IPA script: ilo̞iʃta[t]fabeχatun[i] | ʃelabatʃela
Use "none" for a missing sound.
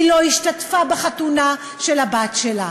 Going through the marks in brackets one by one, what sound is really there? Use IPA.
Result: t, a

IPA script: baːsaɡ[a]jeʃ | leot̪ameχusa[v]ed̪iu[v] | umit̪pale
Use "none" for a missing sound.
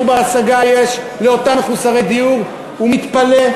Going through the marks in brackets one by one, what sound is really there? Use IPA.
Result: a, ʁ, ʁ

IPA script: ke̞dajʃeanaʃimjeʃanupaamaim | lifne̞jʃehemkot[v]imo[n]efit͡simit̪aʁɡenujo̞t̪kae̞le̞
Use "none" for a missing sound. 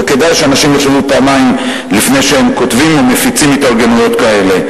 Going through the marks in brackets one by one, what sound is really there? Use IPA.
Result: v, m

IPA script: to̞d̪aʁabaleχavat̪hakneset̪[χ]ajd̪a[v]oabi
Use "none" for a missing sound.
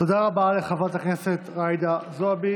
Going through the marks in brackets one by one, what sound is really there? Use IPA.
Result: ʁ, z

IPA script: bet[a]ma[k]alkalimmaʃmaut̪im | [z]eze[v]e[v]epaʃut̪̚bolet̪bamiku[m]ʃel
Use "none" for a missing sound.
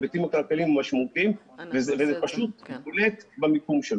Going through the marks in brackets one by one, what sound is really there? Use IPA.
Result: i, k, v, v, z, m

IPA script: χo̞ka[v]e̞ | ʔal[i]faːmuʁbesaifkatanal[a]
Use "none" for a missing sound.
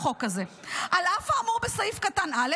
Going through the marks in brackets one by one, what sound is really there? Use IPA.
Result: z, a, e

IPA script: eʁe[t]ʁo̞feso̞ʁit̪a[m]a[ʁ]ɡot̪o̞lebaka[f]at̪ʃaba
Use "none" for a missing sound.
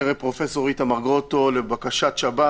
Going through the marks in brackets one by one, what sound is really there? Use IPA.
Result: p, m, ʁ, ʃ

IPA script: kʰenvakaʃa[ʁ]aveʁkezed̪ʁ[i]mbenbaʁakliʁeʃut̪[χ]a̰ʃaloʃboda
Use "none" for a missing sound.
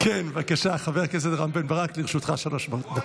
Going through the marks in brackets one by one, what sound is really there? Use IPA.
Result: χ, a, χ

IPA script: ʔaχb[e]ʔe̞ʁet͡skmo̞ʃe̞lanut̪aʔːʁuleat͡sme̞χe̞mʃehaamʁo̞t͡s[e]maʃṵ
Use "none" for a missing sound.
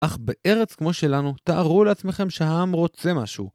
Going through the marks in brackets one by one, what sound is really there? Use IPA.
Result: e, e

